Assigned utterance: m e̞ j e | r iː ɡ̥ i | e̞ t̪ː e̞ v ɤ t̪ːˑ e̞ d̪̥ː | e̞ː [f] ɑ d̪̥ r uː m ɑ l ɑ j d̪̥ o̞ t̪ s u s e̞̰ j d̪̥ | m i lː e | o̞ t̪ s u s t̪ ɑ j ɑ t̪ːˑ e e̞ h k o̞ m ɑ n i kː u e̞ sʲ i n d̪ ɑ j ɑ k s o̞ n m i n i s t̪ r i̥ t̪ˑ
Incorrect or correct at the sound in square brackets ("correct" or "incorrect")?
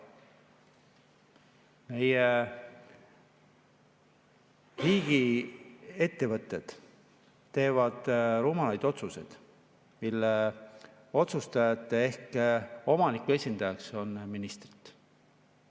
incorrect